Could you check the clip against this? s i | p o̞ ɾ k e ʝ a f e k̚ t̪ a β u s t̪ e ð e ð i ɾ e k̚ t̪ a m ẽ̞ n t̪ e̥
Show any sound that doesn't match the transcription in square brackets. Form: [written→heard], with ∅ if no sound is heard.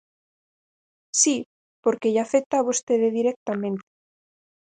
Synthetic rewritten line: s i | p o̞ ɾ k e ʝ a f e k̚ t̪ a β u s t̪ e ð e ð i ɾ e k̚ t̪ a m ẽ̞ n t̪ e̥